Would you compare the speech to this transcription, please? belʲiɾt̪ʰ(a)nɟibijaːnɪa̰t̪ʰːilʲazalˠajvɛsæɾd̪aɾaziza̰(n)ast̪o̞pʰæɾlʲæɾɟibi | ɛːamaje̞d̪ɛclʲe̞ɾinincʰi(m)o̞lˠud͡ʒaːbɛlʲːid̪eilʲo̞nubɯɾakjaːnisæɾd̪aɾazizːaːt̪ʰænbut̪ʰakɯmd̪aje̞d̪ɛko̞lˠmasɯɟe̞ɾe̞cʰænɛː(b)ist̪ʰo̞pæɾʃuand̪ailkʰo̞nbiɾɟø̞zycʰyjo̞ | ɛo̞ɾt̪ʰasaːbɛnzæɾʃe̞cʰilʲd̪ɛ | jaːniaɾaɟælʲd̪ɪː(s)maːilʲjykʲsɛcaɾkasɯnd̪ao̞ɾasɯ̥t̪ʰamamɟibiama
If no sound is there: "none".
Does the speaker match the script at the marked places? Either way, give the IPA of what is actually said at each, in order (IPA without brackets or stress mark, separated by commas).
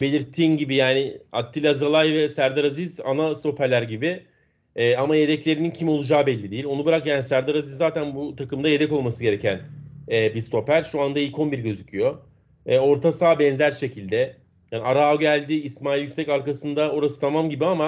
i, n, m, b, s